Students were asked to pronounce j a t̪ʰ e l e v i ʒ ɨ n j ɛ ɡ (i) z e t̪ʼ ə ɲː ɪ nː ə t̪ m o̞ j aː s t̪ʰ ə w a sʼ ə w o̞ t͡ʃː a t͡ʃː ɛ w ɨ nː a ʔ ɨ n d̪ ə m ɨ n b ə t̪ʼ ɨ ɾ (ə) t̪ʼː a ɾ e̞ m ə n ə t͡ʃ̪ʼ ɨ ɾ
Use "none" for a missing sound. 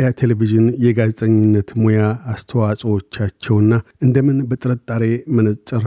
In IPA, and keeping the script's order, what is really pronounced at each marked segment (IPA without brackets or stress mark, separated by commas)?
a, ə